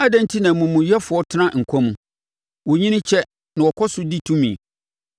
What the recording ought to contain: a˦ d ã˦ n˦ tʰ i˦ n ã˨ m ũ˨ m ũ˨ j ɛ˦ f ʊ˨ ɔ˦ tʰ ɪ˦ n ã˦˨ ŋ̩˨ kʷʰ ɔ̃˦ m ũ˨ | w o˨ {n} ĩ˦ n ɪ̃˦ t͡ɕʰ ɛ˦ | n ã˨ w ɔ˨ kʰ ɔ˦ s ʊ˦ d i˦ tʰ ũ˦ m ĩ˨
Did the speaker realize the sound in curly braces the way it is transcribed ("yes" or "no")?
no